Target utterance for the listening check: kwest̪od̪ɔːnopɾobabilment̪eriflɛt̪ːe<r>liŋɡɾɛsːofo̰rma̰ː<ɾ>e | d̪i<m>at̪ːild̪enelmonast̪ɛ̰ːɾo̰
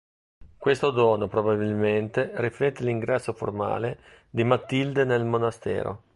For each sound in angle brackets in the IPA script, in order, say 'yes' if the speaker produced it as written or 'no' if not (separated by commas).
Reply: no, no, yes